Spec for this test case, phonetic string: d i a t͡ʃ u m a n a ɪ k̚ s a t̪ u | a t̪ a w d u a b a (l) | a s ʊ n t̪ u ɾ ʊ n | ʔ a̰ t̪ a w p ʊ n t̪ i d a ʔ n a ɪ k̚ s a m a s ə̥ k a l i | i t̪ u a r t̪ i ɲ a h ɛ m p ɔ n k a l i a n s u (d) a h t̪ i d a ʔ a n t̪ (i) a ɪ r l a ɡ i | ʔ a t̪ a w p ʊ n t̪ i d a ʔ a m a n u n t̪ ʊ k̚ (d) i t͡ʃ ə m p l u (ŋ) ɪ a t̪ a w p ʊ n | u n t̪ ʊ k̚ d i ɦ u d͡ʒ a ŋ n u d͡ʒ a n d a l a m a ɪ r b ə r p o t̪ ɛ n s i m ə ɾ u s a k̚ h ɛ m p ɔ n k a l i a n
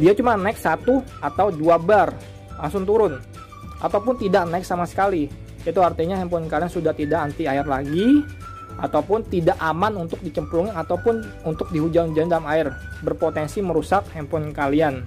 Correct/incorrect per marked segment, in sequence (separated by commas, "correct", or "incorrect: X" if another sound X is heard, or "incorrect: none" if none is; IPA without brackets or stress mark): incorrect: r, correct, correct, correct, correct